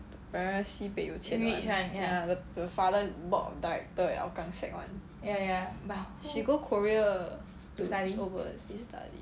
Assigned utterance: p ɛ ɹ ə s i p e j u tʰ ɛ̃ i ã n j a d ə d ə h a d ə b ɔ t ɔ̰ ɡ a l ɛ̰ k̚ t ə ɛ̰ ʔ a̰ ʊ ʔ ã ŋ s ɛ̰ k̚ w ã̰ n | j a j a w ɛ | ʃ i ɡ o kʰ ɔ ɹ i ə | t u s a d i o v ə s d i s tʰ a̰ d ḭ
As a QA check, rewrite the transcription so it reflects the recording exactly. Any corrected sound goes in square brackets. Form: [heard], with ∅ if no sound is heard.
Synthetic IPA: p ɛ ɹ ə s i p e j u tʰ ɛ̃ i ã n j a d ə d ə [f] a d ə b ɔ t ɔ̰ [d] a [ɹ] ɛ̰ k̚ t ə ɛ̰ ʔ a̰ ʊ [k] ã ŋ s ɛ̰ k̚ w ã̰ n | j a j a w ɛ | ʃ i ɡ o kʰ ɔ ɹ i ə | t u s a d i o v ə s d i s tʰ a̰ d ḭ